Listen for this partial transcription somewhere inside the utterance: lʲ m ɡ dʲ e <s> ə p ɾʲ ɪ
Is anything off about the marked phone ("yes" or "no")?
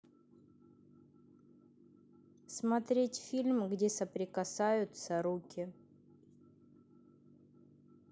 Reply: no